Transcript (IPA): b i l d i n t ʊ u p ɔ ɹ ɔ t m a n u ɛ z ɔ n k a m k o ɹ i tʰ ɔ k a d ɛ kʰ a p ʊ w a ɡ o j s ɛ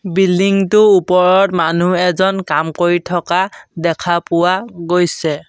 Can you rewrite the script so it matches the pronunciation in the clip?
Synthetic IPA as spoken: b i l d i ŋ t ʊ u p ɔ ɹ ɔ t m a n u ɛ z ɔ n k a m k o ɹ i tʰ ɔ k a d ɛ kʰ a p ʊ w a ɡ o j s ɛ